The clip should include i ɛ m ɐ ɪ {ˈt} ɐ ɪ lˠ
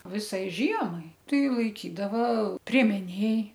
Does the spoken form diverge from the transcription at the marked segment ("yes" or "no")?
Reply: no